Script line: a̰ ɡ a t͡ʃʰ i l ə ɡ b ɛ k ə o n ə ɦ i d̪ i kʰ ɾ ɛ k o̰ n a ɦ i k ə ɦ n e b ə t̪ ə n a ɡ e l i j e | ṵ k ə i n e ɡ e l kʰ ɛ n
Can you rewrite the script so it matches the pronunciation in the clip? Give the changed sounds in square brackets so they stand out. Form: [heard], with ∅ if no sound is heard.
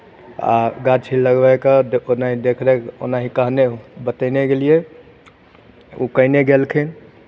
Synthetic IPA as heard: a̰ ɡ a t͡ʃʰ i l ə ɡ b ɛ k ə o n [a] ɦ i d̪ [e] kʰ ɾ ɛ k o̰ n a ɦ i k ə ɦ n e b ə t̪ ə n [e] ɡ e l i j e | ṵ k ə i n e ɡ e l kʰ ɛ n